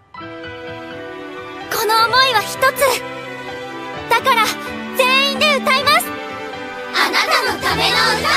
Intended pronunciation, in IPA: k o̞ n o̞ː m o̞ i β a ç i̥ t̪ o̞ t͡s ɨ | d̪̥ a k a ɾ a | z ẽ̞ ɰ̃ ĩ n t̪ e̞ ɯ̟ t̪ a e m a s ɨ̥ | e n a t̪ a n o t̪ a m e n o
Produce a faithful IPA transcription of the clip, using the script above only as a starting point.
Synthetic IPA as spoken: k o̞ n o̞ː m o̞ i β a ç i̥ t̪ o̞ t͡s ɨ | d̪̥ a k a ɾ a | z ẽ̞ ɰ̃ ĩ n d̪ e̞ ɯ̟ t̪ a i m a s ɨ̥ | a n a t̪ a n o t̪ a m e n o